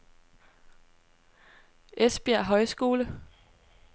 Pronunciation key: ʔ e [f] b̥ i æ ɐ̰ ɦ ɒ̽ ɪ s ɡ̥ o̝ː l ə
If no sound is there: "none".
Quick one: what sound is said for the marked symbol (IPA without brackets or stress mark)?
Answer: s